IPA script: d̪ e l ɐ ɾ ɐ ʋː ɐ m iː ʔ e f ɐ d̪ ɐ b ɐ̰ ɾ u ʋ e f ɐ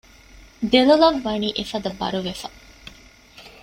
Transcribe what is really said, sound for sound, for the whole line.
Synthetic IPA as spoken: d̪ e l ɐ l ɐ ʋː ɐ n iː ʔ e f ɐ d̪ ɐ b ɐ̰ ɾ u ʋ e f ɐ